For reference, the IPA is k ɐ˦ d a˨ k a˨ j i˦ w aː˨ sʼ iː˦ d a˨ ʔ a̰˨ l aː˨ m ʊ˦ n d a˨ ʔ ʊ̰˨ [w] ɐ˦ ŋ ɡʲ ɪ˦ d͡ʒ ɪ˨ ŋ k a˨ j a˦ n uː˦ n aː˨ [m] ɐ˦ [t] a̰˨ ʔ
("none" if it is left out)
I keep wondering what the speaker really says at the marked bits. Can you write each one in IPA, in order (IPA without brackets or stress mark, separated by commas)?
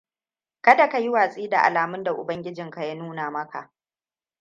b, m, k